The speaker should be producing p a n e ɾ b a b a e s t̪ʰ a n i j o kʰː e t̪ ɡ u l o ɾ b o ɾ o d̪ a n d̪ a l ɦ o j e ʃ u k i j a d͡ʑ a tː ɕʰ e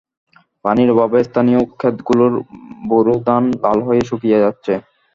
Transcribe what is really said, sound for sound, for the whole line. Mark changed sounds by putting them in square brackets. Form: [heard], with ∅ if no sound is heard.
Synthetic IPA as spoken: p a n [i] ɾ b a b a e s t̪ʰ a n i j o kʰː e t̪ ɡ u l o ɾ b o ɾ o d̪ a n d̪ a l ɦ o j e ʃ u k i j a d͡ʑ a tː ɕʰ e